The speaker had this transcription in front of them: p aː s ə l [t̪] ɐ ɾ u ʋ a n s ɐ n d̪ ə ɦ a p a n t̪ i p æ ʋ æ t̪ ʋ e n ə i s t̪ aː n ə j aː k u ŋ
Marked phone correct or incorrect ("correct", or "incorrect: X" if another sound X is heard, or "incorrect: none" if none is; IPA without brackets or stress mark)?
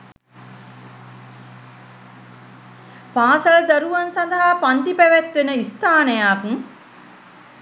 incorrect: d̪